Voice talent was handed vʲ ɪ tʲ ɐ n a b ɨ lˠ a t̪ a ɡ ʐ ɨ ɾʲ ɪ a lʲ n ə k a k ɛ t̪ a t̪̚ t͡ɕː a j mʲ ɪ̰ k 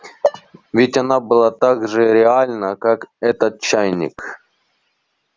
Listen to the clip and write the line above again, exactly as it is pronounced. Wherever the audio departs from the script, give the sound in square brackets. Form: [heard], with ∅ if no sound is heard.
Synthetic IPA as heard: vʲ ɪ tʲ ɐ n a b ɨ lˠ a t̪ a ɡ ʐ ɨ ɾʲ ɪ a lʲ n ə k a k ɛ t̪ [ə] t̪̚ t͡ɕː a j [nʲ] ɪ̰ k